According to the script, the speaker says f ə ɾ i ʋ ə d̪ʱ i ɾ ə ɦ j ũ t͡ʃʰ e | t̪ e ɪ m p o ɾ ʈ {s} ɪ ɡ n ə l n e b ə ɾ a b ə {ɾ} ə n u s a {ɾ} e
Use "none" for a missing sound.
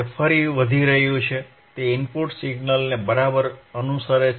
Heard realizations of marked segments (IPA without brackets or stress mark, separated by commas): s, ɾ, ɾ